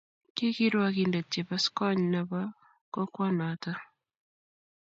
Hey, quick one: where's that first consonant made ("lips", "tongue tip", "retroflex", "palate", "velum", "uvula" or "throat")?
velum